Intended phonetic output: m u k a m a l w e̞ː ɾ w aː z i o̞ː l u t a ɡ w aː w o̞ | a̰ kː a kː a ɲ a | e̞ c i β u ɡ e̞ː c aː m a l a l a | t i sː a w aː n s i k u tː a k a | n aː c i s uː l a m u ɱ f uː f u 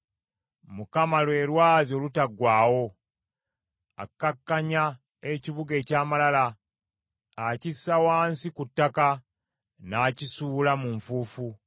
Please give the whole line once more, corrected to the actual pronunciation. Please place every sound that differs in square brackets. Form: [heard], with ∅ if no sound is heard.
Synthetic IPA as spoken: m u k a m a l w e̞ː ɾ w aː z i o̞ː l u t a ɡ w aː w o̞ | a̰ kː a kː a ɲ a | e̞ c i β u ɡ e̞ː c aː m a l a l a | [c] i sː a w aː n s i k u tː a k a | n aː c i s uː l a m u ɱ f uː f u